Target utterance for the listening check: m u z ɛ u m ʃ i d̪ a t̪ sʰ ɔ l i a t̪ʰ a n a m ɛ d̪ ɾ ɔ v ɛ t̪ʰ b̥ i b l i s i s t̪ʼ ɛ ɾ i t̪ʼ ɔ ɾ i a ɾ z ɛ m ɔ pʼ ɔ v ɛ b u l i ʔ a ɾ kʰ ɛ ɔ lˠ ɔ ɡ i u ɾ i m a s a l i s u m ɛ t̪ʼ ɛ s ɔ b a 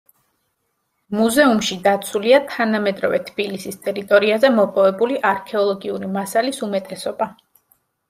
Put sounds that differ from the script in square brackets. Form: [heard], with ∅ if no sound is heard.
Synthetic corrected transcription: m u z ɛ u m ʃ i d̪ a t̪ sʰ [u] l i a t̪ʰ a n a m ɛ d̪ ɾ ɔ v ɛ t̪ʰ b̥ i [∅] l i s i s t̪ʼ ɛ ɾ i t̪ʼ ɔ ɾ i a [∅] z ɛ m ɔ pʼ ɔ v ɛ b u l i ʔ a ɾ kʰ ɛ ɔ lˠ ɔ ɡ i u ɾ i m a s a l i s u m ɛ t̪ʼ ɛ s ɔ b a